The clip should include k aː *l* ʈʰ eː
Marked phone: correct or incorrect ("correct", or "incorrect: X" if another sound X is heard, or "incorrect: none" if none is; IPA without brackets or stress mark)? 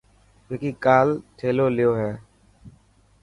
correct